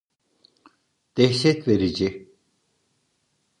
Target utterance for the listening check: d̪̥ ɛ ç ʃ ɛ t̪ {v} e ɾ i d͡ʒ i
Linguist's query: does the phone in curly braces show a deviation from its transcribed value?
no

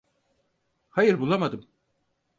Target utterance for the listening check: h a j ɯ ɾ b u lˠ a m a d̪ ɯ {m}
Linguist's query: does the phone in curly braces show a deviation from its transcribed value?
no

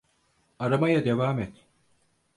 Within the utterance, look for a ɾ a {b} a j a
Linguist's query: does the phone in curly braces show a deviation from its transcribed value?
yes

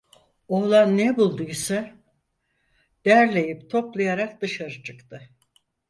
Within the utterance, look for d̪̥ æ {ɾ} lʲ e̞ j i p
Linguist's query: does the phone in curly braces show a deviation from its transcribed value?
no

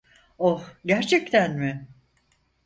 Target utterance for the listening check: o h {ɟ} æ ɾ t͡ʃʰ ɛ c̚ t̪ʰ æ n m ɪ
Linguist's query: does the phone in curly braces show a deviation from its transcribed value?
no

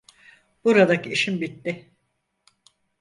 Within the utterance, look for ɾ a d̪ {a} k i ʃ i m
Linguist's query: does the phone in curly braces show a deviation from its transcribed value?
no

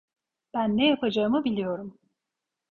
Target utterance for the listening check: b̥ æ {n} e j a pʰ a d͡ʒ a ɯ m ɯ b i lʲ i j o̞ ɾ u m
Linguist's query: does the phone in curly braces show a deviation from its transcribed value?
yes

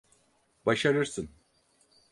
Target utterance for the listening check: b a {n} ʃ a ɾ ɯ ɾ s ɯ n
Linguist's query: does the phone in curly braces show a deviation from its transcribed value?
yes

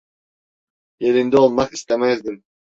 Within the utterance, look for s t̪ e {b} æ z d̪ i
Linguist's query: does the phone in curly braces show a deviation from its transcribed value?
yes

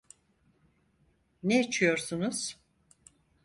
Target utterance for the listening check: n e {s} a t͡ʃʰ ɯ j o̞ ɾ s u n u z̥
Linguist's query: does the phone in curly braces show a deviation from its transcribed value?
yes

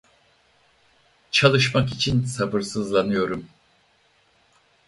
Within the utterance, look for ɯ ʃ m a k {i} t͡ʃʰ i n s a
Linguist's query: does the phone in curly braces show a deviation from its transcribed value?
no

